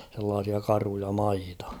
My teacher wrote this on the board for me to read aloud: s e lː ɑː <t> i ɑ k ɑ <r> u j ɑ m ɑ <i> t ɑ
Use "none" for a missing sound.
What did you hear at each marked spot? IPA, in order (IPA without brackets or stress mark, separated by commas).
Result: s, r, i